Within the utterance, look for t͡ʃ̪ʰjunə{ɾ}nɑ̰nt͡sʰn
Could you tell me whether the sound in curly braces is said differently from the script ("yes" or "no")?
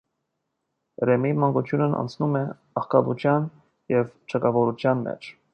yes